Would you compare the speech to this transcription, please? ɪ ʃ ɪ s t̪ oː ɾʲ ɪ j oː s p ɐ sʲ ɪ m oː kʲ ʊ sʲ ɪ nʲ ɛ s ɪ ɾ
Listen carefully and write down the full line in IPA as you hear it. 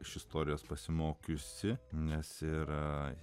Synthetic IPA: ɪ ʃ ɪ s t̪ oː ɾʲ ɪ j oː s p ɐ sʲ ɪ m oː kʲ ʊ sʲ ɪ nʲ ɛ s ɪ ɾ